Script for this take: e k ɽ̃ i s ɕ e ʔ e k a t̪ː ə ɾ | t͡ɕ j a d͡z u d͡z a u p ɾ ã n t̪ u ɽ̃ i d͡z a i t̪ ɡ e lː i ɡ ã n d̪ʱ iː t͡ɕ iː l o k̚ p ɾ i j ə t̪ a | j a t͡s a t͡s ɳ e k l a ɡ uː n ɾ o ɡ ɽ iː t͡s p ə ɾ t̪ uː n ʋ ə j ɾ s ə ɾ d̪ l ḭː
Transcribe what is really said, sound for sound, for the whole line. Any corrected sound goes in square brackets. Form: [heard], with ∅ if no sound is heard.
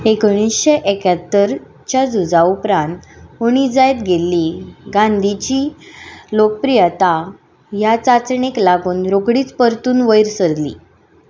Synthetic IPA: e k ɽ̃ i s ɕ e ʔ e k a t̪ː ə ɾ | t͡ɕ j a d͡z u d͡z a u p ɾ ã n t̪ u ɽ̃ i d͡z a [j] t̪ ɡ e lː i ɡ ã n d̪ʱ [i] t͡ɕ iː l o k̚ p ɾ i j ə t̪ a | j a t͡s a t͡s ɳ e k l a ɡ uː n ɾ o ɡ ɽ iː t͡s p ə ɾ t̪ uː n ʋ ə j ɾ s ə ɾ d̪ l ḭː